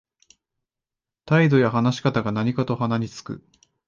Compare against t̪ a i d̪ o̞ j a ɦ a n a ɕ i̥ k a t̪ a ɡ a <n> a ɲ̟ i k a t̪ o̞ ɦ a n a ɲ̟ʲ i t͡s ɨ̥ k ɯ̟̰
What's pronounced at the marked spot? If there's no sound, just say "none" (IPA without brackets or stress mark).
n